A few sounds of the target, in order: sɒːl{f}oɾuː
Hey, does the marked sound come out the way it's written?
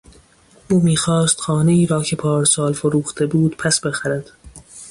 yes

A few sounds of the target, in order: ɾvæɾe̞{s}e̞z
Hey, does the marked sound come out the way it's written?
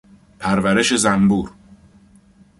no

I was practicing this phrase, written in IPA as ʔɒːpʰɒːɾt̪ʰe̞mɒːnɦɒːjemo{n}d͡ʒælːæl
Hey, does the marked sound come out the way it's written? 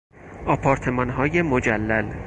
no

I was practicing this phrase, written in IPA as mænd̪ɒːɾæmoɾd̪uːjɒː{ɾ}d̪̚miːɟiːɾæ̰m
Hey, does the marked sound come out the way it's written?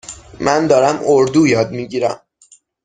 no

